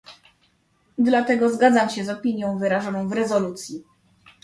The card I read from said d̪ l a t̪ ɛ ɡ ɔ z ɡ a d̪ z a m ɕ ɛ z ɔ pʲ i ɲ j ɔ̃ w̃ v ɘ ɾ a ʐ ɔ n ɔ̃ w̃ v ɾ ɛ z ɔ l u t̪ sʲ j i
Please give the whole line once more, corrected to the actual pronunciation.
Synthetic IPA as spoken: d̪ l a t̪ ɛ ɡ ɔ z ɡ a d̪ z a m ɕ ɛ z ɔ pʲ i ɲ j ɔ̃ w̃ v ɘ ɾ a ʐ ɔ n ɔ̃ w̃ v ɾ ɛ z ɔ l u t̪ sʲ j i